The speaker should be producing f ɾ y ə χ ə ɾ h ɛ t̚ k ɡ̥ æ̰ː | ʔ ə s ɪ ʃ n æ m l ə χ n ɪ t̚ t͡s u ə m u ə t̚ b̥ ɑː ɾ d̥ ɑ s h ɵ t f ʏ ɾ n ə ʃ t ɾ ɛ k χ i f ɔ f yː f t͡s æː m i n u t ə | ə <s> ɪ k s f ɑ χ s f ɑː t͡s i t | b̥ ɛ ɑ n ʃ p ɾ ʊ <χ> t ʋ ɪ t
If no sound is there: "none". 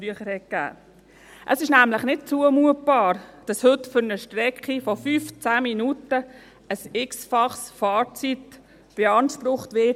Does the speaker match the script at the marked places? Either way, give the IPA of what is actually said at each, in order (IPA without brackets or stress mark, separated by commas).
s, χ